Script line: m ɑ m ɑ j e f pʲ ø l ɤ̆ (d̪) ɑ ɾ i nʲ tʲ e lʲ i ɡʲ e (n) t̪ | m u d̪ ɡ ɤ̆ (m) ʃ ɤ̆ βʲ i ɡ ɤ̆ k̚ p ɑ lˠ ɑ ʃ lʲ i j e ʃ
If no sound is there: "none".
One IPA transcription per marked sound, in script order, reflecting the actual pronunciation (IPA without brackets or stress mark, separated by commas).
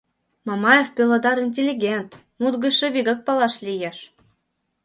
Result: d̪, n, none